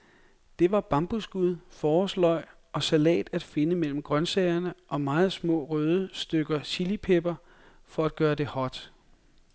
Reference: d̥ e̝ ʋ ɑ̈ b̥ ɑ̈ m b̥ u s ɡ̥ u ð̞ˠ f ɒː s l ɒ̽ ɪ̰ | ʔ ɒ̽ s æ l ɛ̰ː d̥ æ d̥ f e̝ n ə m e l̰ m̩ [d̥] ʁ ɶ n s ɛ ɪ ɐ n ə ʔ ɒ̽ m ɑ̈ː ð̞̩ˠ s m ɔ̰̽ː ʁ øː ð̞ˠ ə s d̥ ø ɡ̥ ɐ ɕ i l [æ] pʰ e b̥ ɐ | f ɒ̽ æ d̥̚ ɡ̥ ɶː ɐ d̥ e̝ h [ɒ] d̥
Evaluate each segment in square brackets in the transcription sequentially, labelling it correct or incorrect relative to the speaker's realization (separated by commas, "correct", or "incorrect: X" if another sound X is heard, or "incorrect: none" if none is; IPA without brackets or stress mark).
incorrect: ɡ̥, incorrect: i, correct